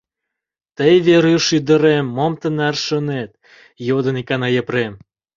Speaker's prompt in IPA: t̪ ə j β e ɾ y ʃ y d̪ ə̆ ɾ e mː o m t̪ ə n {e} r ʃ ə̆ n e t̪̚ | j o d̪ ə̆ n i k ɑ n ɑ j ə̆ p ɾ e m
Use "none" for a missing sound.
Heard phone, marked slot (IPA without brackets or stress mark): æ